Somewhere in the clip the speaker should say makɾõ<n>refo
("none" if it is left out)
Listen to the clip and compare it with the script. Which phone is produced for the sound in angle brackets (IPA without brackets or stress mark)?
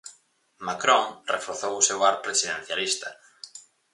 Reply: ŋ